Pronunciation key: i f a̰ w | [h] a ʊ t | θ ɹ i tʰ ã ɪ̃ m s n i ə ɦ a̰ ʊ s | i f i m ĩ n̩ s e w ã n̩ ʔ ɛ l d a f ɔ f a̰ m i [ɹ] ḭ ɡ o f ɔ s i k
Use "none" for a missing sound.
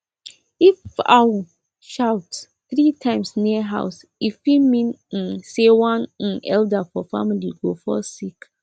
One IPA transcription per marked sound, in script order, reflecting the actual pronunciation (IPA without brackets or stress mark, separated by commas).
ʃ, l